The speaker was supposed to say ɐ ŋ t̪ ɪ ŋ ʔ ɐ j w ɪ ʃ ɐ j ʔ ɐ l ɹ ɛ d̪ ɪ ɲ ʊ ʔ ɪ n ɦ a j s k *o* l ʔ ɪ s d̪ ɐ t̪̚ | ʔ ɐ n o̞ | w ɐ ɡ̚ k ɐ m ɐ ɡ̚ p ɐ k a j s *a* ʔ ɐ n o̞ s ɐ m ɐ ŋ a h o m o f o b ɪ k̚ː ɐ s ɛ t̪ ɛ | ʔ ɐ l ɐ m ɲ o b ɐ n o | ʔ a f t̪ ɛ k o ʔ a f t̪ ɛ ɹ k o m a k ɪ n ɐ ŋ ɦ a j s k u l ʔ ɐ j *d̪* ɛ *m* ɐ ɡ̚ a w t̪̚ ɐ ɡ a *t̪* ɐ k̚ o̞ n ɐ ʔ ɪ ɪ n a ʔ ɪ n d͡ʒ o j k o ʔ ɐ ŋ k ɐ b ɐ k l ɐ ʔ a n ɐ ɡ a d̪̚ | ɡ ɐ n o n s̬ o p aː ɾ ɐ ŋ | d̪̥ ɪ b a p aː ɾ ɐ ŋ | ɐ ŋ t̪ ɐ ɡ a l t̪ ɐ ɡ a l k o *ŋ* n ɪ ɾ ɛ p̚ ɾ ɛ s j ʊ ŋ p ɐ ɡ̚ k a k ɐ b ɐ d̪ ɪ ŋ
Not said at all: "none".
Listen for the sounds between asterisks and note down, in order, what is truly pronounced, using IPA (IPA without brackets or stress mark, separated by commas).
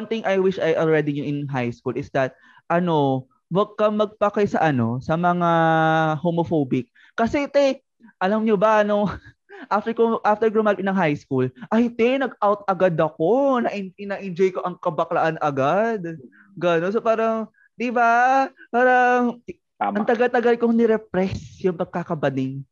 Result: u, ɐ, t̪, n, d̪, ŋ